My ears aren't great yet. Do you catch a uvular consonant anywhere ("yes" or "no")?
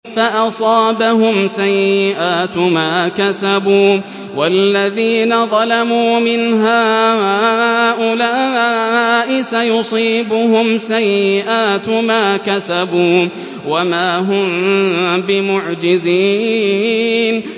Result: no